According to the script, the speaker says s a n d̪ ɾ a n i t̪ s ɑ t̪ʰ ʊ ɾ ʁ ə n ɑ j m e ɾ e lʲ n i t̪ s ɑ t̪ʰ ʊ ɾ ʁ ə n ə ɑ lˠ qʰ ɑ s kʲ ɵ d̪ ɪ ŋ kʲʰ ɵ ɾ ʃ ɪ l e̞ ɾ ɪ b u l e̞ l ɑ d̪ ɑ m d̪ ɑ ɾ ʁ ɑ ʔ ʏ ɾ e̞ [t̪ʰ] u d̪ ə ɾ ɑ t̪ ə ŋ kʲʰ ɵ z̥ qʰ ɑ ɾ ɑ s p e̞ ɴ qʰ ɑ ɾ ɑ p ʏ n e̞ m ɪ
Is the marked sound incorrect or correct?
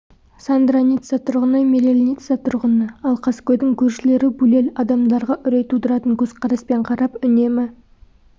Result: incorrect